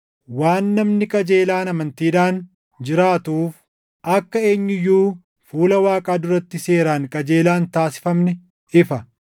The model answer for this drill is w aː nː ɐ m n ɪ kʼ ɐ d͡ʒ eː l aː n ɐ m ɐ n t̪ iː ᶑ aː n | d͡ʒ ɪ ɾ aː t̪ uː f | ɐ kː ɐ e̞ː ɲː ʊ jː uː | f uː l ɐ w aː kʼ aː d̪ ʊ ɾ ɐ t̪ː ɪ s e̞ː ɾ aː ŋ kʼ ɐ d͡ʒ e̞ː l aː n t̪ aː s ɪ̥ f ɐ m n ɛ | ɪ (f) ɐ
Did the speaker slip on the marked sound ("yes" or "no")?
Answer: no